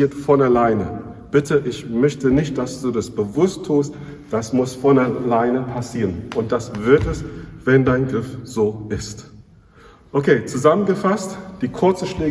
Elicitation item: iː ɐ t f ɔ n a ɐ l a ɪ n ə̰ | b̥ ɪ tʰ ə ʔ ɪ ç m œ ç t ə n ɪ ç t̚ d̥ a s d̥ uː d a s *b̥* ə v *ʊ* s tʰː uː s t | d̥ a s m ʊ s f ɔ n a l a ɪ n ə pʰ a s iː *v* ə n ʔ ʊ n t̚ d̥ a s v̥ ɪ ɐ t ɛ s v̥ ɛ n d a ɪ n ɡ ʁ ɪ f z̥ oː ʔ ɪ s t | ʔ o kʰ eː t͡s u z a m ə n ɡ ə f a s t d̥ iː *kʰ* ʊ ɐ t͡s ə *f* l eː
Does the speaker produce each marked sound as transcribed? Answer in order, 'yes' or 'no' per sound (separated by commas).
yes, yes, no, yes, no